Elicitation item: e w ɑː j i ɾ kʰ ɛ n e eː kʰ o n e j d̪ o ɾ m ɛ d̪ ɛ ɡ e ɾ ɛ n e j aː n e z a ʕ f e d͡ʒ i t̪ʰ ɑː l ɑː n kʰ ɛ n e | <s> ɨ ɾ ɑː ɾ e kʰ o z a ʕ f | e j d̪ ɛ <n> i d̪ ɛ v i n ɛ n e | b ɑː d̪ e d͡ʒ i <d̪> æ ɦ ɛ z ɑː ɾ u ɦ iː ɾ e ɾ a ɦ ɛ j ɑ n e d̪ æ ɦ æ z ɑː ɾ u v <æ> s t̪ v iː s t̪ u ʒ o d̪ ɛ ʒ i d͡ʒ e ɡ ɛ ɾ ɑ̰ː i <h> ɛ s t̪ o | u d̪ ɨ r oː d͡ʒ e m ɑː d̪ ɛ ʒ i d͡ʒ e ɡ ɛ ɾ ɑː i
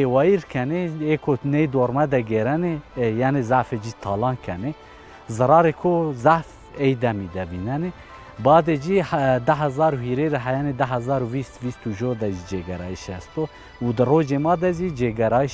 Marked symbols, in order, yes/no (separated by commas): no, no, yes, no, no